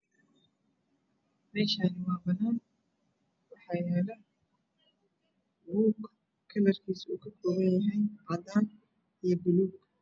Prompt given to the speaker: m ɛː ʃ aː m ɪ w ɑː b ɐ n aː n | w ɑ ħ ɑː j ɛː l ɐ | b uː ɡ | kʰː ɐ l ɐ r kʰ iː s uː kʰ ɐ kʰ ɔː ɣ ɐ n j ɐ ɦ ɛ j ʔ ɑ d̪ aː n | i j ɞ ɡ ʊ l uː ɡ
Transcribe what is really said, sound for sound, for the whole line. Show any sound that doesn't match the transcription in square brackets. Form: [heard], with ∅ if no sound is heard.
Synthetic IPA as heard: m ɛː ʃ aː [n] ɪ w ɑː b ɐ n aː n | w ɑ ħ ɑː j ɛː l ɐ | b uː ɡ | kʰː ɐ l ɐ r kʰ iː s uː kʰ ɐ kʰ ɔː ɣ ɐ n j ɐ ɦ ɛ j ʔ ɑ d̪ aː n | i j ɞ [b] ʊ l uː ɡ